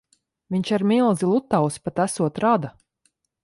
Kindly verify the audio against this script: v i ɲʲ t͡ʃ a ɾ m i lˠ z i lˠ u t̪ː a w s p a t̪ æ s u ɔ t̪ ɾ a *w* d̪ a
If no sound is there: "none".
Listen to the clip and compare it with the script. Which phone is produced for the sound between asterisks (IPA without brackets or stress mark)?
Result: none